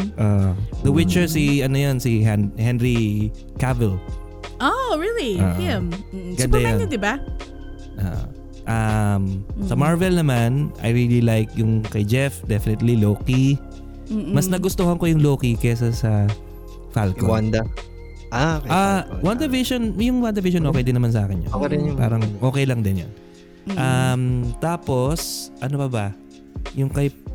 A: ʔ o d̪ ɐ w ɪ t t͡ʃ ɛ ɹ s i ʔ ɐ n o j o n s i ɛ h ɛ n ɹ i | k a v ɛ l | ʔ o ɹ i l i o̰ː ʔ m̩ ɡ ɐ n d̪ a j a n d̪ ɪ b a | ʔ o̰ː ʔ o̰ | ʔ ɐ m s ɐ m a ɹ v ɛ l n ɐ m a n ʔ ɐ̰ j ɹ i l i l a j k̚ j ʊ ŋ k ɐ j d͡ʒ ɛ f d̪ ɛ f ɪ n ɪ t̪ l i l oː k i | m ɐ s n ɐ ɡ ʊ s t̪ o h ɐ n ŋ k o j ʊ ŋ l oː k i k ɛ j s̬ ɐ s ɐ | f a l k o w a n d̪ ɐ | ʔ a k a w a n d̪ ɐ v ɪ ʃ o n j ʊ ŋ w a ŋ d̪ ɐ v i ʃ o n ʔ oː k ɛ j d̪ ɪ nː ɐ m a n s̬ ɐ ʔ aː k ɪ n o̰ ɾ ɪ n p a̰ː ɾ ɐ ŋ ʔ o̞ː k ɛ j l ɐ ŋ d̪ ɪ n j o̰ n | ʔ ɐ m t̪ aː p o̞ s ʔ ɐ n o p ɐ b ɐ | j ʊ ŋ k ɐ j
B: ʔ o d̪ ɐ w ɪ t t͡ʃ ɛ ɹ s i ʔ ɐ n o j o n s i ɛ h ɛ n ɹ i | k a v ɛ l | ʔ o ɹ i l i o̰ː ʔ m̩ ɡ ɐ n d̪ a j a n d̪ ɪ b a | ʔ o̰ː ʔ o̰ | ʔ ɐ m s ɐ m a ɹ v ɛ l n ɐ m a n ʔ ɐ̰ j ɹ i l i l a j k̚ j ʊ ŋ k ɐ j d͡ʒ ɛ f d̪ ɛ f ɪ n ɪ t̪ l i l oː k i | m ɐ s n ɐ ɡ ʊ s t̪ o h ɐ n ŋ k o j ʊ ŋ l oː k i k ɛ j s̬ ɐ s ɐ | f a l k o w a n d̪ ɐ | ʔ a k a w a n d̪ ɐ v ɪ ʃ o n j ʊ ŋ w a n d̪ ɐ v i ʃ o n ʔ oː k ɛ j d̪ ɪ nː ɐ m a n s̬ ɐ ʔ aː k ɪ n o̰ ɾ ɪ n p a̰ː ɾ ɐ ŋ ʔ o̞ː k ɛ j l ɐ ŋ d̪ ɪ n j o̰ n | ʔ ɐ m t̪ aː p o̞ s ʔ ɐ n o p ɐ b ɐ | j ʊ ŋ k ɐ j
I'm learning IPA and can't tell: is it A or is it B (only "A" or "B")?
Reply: B